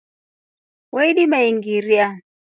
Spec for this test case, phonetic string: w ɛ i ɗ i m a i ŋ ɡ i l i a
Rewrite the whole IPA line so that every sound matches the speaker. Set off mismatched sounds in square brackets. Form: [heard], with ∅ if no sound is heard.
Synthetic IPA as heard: w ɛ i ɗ i m a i ŋ ɡ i [ɾ] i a